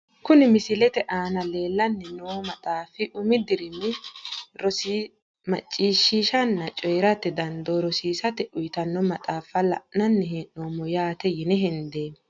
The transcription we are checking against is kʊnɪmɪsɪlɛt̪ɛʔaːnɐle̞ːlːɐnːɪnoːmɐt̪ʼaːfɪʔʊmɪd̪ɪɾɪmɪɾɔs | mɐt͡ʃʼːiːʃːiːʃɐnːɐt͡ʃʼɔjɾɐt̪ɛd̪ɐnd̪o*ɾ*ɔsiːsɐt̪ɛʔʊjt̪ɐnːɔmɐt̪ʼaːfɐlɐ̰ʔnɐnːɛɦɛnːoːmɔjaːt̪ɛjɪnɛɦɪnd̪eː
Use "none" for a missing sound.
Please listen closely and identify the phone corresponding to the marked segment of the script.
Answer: ɾ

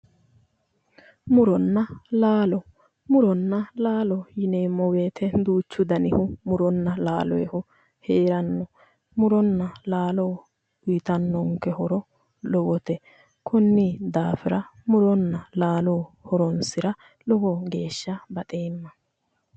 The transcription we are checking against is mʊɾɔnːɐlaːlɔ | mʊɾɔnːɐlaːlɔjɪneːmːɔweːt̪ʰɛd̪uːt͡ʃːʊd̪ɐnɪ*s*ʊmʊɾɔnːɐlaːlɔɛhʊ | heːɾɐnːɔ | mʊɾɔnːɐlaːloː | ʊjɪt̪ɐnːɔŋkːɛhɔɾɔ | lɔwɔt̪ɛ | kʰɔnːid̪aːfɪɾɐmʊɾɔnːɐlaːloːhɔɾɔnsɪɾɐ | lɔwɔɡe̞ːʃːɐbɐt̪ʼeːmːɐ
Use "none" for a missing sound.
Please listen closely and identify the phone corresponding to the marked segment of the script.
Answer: h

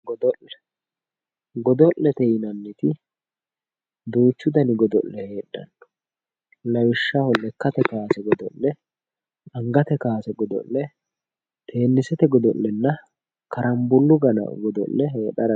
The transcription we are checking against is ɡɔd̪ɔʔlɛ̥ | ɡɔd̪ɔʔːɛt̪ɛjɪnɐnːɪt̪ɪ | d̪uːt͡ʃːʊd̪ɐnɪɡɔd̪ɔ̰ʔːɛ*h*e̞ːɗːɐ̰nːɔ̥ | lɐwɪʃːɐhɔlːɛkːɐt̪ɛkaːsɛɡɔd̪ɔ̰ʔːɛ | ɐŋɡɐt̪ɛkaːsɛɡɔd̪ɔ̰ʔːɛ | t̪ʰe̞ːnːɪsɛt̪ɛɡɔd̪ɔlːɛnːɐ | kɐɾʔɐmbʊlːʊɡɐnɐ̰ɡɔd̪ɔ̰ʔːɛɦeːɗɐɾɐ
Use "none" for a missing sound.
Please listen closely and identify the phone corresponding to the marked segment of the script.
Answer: h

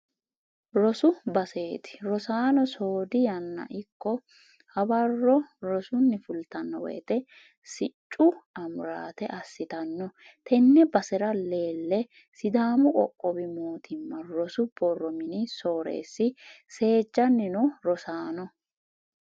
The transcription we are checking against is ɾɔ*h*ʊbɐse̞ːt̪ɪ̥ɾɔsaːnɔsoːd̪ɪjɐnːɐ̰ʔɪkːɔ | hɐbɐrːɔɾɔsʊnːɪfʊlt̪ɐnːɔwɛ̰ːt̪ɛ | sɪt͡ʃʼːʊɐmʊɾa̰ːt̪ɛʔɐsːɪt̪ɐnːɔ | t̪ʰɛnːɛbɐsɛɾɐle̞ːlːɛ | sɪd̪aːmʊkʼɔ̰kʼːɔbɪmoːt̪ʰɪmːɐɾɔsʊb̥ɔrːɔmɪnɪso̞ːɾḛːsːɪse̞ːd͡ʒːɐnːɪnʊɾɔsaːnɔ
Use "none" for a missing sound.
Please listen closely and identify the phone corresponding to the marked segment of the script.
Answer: s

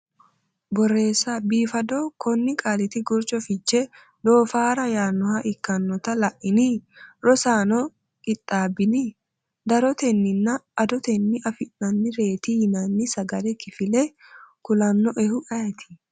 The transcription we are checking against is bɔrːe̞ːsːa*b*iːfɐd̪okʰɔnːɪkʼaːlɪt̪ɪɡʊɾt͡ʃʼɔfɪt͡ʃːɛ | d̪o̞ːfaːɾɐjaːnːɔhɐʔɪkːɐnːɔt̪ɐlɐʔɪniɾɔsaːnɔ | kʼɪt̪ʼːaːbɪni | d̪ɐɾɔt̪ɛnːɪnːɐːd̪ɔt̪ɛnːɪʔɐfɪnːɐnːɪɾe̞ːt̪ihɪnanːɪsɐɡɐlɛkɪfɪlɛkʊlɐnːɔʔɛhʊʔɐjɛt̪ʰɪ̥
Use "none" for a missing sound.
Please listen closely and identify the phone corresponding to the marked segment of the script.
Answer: b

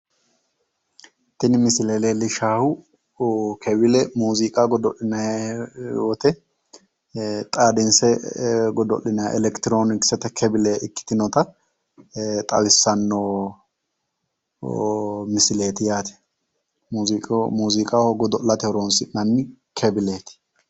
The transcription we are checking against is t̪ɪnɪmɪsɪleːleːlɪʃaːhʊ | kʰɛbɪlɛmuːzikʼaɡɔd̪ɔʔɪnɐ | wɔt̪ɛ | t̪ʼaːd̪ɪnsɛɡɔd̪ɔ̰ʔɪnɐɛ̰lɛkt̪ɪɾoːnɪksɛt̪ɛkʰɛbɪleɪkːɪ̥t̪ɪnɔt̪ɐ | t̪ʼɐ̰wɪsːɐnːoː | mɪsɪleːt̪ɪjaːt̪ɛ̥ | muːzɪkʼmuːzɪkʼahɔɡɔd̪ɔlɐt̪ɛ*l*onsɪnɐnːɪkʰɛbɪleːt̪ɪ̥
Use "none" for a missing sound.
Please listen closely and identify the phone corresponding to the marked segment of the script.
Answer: ɾ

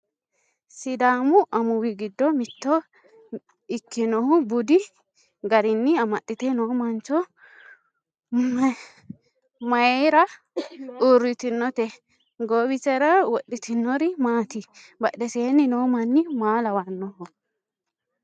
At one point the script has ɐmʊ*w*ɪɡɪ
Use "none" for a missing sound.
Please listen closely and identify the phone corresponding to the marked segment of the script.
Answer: w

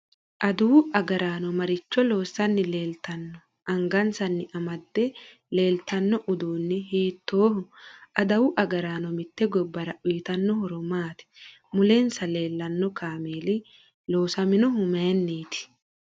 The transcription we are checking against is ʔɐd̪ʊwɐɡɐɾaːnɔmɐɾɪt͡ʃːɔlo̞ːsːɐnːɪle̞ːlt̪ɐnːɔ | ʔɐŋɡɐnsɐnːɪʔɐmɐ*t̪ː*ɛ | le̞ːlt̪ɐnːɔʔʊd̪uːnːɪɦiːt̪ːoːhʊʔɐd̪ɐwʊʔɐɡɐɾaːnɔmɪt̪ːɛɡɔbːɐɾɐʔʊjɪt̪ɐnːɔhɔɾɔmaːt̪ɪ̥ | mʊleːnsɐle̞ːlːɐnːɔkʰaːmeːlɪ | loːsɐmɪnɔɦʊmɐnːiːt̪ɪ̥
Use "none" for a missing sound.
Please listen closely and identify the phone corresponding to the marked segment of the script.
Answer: d̪ː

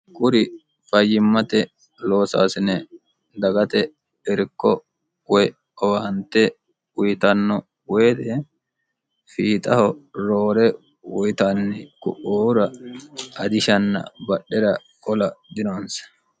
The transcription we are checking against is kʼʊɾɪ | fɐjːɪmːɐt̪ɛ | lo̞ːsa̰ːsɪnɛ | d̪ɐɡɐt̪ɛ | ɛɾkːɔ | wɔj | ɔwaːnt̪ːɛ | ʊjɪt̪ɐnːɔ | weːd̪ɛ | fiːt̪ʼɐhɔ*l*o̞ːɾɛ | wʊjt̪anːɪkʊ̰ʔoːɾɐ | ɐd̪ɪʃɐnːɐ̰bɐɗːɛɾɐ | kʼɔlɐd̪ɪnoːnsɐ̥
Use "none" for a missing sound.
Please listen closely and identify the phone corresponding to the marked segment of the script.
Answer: ɾ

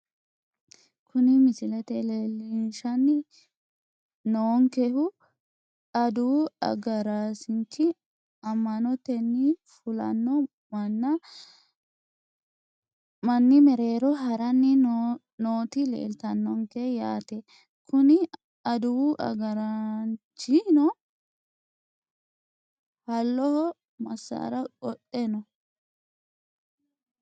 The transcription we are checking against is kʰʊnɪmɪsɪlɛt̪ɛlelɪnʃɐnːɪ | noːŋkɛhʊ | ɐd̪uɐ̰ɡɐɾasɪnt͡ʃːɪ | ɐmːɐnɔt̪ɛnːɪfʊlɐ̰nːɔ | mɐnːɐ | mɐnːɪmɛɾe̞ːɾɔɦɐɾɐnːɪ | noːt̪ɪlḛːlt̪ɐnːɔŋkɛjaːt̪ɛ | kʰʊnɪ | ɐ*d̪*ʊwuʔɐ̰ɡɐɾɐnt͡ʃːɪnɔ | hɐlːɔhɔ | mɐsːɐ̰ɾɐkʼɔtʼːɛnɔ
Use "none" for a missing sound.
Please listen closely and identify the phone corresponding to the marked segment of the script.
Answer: d̪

